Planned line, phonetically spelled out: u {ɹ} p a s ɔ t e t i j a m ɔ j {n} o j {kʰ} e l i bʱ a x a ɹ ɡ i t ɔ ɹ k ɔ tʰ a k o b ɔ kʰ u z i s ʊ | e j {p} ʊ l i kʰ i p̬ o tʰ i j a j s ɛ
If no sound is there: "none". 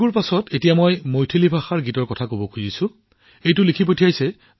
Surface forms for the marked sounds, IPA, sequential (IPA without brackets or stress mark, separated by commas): ɹ, m, tʰ, t